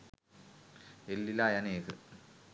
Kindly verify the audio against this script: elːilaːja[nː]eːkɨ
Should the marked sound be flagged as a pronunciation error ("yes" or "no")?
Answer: yes